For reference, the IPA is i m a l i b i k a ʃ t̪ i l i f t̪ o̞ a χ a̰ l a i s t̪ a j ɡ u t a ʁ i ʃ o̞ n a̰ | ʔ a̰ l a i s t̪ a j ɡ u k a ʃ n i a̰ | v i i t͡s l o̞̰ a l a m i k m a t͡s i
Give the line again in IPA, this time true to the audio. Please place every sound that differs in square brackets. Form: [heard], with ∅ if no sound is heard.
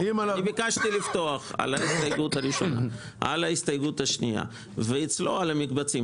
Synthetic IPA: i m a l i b i k a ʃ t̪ i l i f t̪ o̞ a χ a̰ l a i s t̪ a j ɡ u t a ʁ i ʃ o̞ n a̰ | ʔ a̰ l a i s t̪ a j ɡ u [t] a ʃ n i a̰ | v [e] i t͡s l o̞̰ a l a m i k [b] a t͡s i